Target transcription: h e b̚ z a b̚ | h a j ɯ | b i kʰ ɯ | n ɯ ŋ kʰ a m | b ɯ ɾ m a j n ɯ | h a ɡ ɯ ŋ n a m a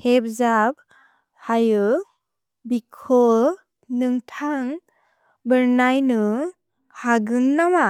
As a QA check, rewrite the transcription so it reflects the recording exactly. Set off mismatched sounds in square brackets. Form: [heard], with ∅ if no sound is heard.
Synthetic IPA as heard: h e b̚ z a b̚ | h a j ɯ | b i kʰ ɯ | n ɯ ŋ [tʰ] a [ŋ] | b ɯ ɾ [n] a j n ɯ | h a ɡ ɯ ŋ n a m a